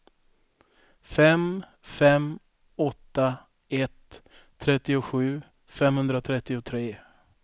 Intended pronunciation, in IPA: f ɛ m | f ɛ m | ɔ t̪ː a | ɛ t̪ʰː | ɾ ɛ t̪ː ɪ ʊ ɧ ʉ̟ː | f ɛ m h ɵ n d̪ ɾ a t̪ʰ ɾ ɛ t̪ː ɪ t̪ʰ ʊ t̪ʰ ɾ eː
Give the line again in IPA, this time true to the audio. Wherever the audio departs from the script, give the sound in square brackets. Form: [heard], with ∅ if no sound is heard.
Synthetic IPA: f ɛ m | f ɛ m | ɔ t̪ː a | ɛ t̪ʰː | ɾ ɛ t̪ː ɪ ʊ ɧ ʉ̟ː | f ɛ m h ɵ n d̪ ɾ a t̪ʰ ɾ ɛ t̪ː ɪ [∅] ʊ t̪ʰ ɾ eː